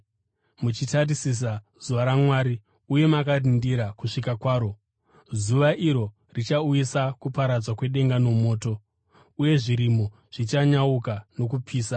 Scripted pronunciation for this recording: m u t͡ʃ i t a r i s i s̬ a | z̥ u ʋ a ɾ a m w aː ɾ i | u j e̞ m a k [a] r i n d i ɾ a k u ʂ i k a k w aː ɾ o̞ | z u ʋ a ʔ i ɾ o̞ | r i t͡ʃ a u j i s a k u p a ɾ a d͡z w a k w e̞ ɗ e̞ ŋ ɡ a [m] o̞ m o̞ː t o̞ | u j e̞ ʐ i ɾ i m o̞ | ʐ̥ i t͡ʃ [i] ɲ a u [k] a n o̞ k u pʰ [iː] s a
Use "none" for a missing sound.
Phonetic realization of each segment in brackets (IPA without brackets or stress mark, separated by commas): a, n, a, k, iː